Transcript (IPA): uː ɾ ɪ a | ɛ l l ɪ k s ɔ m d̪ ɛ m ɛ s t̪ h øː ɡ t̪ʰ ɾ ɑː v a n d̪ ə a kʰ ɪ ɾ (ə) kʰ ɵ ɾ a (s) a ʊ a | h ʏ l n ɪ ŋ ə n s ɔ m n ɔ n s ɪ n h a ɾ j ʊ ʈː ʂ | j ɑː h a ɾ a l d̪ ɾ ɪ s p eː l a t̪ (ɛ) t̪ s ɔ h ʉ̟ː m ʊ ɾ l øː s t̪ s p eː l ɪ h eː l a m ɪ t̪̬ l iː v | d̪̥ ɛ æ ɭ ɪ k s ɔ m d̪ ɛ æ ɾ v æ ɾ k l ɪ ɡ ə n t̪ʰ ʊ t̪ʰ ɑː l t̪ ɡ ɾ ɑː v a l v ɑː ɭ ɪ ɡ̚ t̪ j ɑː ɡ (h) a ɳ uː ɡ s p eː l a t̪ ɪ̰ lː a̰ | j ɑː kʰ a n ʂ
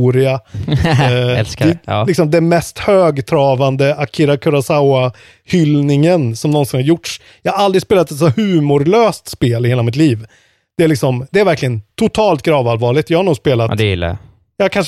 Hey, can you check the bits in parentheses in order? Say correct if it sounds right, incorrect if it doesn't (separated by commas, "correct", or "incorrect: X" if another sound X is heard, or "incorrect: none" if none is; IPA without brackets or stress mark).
incorrect: a, correct, correct, correct